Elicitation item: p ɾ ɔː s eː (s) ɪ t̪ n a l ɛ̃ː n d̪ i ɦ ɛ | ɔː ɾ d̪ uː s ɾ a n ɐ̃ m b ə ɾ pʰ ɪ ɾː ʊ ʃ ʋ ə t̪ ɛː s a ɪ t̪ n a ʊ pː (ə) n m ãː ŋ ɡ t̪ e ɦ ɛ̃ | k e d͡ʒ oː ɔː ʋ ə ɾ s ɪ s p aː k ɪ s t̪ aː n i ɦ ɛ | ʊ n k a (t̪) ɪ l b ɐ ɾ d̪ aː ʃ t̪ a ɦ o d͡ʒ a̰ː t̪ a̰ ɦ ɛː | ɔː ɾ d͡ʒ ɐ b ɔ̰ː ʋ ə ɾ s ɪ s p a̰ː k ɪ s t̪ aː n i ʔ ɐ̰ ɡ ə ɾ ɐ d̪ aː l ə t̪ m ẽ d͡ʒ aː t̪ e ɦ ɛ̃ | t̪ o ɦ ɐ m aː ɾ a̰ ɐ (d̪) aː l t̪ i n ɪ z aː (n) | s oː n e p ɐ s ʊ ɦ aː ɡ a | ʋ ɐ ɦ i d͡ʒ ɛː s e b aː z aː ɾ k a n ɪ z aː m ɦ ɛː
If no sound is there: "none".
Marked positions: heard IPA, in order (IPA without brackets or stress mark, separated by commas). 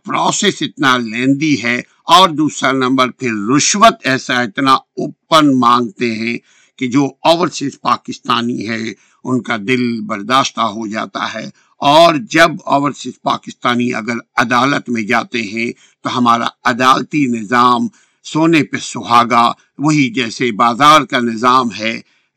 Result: s, ə, d̪, d̪, m